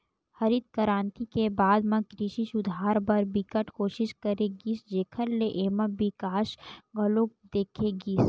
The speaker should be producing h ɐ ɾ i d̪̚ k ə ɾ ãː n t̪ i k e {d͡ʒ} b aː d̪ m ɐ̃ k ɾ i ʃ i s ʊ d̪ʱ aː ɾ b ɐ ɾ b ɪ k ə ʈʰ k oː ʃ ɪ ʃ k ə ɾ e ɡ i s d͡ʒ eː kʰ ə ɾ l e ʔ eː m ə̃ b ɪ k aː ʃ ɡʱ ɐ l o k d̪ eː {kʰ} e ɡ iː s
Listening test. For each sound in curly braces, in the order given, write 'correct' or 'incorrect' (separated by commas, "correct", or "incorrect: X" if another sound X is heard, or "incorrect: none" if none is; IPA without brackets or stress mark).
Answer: incorrect: none, correct